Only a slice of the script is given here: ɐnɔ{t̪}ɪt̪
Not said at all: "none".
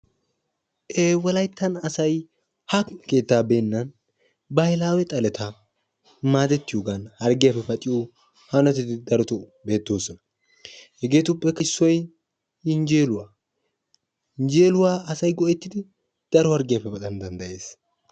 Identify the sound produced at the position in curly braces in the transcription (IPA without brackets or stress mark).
t̪